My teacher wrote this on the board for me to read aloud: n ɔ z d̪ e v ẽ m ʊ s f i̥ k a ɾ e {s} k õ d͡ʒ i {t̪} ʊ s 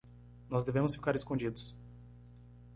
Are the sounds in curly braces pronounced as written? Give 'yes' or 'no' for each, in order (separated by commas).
yes, no